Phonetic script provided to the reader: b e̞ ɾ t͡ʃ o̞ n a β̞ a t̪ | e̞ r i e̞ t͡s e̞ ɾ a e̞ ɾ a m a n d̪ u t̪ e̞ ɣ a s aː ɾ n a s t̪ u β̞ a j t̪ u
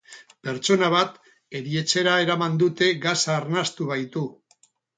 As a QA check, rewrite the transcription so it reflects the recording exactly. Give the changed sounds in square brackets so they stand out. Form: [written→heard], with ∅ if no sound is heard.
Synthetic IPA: [b→p] e̞ ɾ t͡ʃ o̞ n a β̞ a t̪ | e̞ [r→ɾ] i e̞ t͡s e̞ ɾ a e̞ ɾ a m a n d̪ u t̪ e̞ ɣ a s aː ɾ n a s t̪ u β̞ a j t̪ u